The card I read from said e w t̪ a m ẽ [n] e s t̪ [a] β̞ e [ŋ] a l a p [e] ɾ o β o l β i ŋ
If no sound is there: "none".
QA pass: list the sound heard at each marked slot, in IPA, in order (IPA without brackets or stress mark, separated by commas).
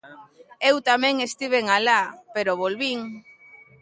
ŋ, i, ŋ, e